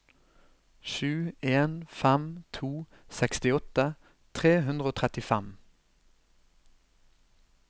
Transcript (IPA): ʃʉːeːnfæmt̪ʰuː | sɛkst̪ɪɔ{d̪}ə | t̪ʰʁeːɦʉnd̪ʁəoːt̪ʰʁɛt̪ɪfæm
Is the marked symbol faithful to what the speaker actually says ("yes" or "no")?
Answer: no